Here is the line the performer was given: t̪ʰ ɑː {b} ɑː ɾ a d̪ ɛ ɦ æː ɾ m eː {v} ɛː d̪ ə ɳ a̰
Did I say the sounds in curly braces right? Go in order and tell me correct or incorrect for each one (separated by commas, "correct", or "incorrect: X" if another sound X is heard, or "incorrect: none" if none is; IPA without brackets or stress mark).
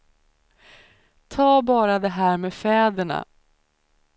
correct, incorrect: f